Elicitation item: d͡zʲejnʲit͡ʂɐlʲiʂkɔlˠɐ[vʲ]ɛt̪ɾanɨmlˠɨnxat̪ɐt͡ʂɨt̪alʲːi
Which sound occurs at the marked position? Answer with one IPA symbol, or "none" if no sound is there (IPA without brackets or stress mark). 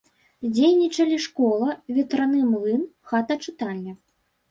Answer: vʲ